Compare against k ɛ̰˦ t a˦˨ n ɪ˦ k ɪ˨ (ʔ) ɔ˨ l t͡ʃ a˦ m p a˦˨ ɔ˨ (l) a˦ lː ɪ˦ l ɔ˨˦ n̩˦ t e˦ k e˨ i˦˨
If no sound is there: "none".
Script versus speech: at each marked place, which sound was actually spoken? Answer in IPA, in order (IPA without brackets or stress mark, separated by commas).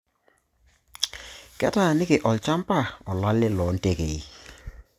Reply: ʔ, l